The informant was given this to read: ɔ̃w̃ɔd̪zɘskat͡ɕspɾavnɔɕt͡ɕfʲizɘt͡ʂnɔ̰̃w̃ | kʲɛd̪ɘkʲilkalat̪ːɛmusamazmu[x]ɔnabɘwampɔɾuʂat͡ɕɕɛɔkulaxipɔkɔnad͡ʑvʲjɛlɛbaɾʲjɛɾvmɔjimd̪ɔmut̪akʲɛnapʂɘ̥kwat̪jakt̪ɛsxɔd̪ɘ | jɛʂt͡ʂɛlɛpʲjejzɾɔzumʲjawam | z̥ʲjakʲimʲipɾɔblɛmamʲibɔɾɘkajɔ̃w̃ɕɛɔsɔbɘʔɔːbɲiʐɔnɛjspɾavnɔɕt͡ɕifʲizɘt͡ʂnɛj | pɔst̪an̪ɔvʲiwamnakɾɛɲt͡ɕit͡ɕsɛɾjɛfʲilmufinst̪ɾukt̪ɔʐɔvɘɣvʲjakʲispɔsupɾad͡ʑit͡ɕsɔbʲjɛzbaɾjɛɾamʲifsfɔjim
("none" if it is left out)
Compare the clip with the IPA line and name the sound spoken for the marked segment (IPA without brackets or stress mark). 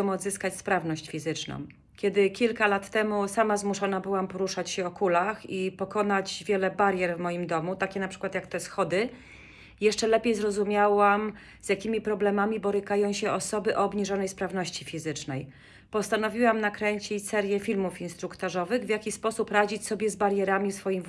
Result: ʂ